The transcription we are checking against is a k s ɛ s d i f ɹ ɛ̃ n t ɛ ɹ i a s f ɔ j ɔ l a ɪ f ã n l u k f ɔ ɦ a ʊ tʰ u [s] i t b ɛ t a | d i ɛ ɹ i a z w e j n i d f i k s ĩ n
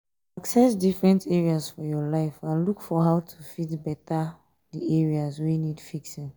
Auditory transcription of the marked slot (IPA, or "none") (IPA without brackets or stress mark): f